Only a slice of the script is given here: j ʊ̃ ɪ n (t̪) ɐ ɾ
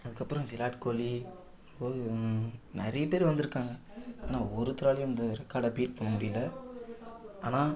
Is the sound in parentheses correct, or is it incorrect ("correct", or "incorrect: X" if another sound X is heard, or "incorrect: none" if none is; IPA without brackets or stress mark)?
incorrect: d̪